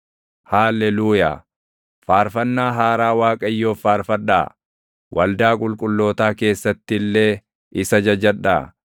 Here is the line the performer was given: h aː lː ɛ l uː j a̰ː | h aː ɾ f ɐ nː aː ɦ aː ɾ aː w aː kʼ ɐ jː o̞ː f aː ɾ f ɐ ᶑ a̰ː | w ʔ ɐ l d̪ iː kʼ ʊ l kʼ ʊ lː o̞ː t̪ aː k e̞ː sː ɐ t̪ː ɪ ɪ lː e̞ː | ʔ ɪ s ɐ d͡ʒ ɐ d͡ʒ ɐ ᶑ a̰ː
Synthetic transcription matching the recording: h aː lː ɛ l uː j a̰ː | f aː ɾ f ɐ nː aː ɦ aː ɾ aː w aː kʼ ɐ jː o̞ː f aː ɾ f ɐ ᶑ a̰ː | w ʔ ɐ l d̪ aː kʼ ʊ l kʼ ʊ lː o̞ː t̪ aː k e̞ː sː ɐ t̪ː ɪ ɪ lː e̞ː | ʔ ɪ s ɐ d͡ʒ ɐ d͡ʒ ɐ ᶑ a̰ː